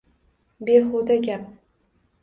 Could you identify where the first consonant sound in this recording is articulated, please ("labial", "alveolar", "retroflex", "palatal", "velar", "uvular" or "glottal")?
labial